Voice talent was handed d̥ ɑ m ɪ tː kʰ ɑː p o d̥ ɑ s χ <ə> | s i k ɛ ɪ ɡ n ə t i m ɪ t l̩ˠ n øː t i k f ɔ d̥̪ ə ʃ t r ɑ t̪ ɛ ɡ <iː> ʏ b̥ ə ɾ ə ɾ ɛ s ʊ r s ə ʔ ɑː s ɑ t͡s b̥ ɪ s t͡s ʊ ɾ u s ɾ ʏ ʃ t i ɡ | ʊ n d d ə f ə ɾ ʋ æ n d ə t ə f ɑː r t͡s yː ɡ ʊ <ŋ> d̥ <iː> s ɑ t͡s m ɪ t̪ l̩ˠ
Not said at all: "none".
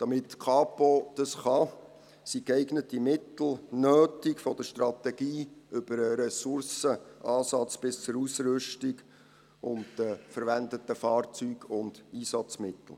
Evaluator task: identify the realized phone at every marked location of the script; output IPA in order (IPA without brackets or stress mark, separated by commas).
ɑ, iː, n, iː